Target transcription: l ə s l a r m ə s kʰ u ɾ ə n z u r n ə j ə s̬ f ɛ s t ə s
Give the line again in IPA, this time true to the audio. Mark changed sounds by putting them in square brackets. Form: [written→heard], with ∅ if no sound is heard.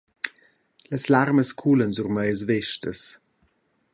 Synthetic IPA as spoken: l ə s l a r m ə s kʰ u [ɾ→l] ə n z u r [n→m] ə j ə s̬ [f→v] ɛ [s→ʃ] t ə s